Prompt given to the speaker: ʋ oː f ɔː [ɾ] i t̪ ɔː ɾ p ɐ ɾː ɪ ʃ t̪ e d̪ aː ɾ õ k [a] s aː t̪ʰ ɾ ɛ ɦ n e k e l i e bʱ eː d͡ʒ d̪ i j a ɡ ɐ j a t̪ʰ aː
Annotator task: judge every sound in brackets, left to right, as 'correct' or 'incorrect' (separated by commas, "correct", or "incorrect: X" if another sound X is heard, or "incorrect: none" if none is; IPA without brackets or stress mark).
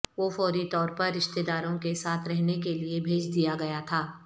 correct, incorrect: e